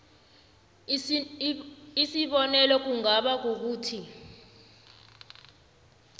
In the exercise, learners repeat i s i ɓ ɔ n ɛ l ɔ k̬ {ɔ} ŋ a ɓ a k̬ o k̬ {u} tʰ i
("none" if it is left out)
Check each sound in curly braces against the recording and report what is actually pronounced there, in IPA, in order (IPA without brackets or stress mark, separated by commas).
u, uː